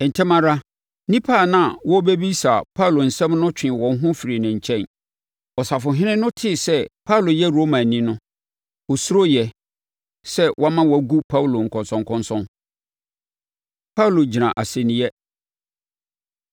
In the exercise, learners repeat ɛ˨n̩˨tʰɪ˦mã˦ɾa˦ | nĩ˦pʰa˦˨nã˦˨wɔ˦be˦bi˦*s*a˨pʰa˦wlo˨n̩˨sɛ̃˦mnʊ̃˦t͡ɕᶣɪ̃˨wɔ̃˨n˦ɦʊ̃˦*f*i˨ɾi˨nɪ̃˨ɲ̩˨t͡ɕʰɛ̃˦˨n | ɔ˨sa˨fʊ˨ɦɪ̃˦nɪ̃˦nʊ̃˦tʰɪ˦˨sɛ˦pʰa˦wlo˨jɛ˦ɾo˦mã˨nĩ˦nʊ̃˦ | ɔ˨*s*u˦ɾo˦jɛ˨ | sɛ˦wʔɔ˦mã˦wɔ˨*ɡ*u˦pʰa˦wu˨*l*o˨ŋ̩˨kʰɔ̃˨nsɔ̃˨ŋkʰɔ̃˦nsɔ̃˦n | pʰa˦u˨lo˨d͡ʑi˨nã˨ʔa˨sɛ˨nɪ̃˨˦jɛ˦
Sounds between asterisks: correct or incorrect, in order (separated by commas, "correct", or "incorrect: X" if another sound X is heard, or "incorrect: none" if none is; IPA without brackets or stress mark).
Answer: correct, correct, correct, correct, correct